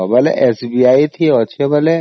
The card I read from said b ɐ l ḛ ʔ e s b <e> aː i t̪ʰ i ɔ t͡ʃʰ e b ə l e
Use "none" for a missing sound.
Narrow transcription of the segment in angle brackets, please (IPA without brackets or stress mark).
i